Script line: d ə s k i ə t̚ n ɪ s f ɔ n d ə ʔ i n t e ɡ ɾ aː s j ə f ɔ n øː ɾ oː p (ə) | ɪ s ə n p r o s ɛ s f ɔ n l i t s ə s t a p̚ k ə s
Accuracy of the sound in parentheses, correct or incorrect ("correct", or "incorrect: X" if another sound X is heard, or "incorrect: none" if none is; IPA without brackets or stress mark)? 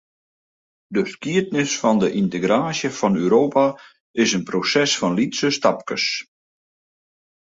incorrect: a